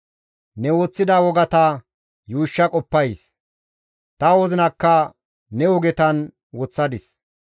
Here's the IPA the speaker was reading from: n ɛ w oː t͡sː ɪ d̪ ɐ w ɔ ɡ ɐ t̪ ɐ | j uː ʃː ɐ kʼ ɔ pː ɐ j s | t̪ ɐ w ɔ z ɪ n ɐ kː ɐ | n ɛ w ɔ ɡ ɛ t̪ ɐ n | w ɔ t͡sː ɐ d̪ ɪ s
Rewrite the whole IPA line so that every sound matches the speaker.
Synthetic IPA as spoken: n ɛ w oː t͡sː ɪ d̪ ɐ w ɔ ɡ ɐ t̪ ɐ | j uː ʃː ɐ kʼ ɔ pː ɐ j s | t̪ ɐ w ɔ z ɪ n ɐ kː ɐ | n ɛ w ɔ ɡ ɛ t̪ ɐ n | w ɔ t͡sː ɐ d̪ ɪ s